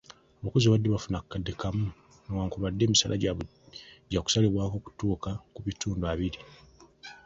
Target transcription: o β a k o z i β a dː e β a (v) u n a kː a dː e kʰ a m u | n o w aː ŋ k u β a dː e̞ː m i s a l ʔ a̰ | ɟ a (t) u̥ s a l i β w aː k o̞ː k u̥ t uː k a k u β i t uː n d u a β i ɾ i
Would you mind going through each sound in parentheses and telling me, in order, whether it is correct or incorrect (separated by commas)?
incorrect, incorrect